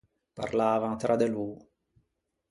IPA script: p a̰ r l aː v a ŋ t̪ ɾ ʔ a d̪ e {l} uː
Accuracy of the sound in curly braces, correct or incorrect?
correct